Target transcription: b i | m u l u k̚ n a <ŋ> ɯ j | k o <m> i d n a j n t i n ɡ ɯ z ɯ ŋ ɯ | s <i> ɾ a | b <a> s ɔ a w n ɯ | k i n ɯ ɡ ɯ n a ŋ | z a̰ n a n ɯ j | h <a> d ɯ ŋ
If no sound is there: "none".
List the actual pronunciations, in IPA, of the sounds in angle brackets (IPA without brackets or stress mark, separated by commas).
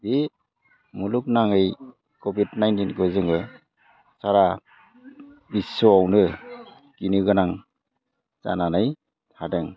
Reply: ŋ, b, a, i, a